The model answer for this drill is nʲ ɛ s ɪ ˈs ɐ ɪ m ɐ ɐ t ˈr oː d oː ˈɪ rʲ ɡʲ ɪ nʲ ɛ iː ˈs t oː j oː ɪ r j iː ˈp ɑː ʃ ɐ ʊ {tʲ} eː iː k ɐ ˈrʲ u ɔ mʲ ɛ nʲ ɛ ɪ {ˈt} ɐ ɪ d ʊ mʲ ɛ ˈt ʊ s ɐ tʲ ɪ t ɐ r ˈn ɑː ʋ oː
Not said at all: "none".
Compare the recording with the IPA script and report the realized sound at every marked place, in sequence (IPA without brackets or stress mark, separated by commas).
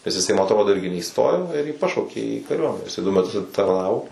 kʲ, s